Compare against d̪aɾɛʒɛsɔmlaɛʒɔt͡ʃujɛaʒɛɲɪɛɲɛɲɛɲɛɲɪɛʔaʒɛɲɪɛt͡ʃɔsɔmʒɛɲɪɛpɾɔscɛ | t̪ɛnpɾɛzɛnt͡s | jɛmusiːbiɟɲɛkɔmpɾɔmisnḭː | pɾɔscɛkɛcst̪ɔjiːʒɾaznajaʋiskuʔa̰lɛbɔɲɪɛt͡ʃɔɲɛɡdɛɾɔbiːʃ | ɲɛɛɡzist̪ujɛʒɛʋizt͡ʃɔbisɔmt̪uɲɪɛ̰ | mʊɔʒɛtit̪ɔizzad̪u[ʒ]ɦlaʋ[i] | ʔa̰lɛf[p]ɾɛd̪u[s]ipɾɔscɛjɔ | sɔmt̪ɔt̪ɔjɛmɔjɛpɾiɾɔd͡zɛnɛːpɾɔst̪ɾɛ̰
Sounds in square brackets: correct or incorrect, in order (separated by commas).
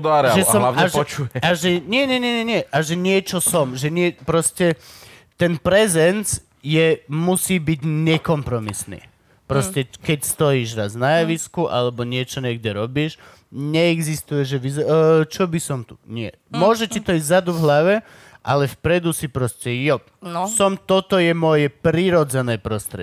incorrect, incorrect, correct, correct